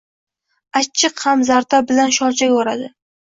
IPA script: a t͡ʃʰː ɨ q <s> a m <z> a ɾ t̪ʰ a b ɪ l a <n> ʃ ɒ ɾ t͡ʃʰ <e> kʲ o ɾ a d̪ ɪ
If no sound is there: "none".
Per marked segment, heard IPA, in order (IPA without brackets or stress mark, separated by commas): h, z, n, a